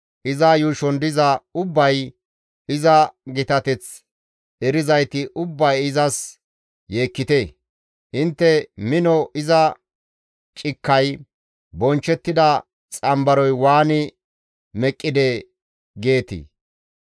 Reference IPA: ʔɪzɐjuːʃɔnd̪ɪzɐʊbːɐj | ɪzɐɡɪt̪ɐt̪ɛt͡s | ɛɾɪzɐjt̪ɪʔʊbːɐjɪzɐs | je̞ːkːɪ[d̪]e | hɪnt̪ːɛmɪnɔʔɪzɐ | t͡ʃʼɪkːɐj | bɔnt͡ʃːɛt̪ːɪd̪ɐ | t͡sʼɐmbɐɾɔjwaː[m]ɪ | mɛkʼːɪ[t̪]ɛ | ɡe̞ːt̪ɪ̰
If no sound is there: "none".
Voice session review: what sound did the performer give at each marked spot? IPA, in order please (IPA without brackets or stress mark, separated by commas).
t̪, n, d̪